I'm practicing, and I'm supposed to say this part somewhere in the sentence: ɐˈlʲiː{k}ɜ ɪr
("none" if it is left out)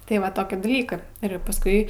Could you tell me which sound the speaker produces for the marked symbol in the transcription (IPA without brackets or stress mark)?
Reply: k